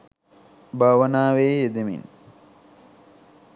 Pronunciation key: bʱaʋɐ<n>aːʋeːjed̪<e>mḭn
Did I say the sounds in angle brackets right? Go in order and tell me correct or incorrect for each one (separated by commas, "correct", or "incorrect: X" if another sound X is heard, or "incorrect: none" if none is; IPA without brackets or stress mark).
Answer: correct, correct